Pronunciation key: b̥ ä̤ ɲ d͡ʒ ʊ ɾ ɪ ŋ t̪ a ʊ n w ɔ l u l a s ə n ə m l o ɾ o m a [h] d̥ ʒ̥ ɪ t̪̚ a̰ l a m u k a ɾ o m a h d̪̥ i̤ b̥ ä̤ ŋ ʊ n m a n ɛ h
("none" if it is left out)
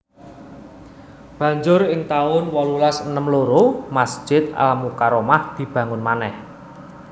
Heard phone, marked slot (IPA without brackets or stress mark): s